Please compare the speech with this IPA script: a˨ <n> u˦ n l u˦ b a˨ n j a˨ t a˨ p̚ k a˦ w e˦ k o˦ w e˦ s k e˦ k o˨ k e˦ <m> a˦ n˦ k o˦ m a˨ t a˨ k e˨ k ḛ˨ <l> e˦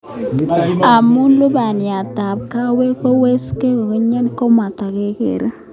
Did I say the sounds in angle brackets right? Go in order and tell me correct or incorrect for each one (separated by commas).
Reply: incorrect, incorrect, incorrect